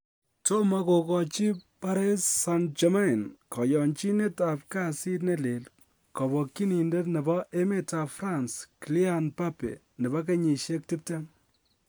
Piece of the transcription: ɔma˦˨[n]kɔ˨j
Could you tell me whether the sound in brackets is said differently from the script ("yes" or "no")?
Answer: no